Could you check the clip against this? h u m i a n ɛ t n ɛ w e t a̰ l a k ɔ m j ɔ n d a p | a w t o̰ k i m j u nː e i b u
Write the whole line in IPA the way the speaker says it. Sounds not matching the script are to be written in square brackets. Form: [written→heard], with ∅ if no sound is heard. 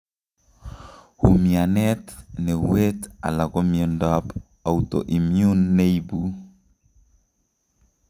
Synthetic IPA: h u m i a n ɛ t n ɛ w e t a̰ l a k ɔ m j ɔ n d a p | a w t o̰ [k→ʔ] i m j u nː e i b u